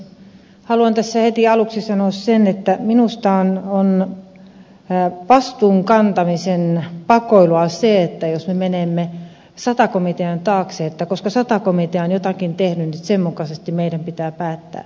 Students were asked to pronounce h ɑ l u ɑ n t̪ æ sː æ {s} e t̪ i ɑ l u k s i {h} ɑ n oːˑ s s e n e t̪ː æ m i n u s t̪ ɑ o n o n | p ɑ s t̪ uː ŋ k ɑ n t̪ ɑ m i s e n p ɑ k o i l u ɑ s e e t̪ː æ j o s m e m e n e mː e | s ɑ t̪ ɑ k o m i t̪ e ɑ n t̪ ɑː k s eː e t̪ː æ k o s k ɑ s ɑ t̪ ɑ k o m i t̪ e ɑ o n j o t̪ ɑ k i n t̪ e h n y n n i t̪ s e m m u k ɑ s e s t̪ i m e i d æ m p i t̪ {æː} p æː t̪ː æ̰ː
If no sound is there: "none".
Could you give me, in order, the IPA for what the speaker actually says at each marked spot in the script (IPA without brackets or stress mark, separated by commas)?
h, s, æː